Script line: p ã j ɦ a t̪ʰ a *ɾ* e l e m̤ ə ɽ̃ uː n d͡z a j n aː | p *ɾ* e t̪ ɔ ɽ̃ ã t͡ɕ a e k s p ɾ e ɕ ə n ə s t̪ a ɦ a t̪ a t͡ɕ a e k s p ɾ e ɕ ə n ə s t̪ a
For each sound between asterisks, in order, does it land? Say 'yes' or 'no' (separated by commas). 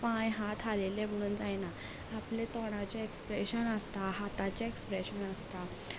no, no